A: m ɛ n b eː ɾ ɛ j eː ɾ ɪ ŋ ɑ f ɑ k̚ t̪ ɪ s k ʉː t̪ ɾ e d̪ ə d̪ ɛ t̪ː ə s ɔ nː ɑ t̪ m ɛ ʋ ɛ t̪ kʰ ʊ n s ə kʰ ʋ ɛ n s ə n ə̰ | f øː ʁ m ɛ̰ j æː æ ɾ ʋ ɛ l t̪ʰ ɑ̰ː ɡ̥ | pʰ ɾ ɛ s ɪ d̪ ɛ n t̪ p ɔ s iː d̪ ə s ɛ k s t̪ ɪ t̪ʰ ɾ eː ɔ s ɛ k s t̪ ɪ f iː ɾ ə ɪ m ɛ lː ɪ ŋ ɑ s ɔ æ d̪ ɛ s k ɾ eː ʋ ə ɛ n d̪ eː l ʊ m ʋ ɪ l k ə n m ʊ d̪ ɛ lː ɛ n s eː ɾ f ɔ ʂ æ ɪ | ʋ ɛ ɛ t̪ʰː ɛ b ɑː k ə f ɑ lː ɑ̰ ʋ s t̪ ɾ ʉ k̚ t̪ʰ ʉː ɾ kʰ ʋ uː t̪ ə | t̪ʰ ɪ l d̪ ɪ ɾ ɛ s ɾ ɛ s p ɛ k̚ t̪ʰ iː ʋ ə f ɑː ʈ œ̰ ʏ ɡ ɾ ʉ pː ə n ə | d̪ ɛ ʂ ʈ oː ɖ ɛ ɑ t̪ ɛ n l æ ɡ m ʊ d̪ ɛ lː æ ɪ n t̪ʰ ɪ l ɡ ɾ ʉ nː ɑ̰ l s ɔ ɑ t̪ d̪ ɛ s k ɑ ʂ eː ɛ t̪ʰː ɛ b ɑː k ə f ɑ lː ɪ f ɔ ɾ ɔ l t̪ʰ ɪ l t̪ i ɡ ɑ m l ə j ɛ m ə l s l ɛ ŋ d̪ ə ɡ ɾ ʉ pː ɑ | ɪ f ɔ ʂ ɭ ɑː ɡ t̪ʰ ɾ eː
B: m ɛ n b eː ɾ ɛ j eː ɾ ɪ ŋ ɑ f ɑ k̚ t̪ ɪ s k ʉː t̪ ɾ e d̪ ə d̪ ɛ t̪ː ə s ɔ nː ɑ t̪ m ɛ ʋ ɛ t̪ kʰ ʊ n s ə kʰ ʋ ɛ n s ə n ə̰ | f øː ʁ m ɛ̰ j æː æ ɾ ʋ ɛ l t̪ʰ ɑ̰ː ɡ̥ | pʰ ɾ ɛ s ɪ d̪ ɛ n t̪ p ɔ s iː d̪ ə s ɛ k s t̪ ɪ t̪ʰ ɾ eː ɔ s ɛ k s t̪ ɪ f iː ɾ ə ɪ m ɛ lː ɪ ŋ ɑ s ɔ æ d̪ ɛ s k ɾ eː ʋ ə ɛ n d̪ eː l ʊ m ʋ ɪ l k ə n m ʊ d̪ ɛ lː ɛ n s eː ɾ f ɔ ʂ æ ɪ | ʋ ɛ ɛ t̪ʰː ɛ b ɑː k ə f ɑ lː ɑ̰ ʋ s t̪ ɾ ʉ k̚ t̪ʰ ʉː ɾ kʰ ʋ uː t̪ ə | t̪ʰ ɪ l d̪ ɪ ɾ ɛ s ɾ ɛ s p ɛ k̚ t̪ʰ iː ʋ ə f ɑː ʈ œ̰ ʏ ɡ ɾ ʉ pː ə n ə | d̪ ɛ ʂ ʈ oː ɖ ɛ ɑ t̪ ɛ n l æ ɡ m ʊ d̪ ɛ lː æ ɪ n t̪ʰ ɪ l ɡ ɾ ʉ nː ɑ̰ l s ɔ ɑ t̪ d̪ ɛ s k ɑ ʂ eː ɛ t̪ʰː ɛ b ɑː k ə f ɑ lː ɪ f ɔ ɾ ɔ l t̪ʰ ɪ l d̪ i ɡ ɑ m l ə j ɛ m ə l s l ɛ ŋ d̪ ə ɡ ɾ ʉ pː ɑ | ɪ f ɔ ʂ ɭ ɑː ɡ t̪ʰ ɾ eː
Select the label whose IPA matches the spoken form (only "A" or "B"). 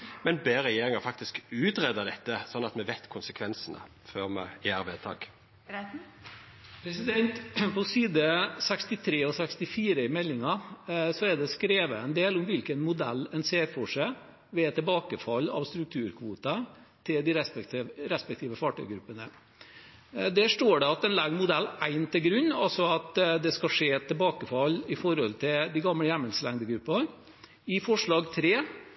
B